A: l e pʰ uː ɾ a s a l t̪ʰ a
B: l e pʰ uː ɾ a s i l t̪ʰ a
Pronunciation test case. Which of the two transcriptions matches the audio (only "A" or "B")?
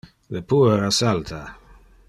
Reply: A